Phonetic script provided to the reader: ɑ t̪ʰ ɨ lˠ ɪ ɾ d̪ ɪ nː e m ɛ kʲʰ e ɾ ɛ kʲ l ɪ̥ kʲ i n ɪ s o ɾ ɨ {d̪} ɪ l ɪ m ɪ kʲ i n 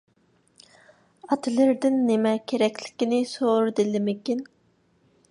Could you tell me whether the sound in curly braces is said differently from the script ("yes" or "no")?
no